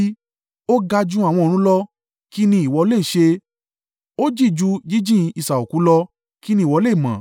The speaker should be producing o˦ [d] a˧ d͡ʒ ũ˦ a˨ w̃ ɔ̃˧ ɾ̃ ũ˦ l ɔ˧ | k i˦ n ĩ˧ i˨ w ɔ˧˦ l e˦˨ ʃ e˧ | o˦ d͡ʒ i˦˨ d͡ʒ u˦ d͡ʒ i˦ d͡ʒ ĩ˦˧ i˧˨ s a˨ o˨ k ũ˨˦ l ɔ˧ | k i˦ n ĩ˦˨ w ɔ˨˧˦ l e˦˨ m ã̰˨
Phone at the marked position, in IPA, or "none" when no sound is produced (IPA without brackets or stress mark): ɡ